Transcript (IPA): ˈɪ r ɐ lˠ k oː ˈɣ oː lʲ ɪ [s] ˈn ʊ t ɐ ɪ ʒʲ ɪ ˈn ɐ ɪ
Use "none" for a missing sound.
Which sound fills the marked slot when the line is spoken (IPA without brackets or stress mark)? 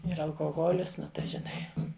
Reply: s